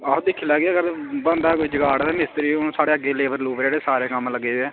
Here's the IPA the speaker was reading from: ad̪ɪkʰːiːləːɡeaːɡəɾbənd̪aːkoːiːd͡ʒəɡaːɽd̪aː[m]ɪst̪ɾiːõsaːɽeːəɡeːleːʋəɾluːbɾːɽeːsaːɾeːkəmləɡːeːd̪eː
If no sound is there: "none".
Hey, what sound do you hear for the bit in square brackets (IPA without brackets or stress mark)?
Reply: m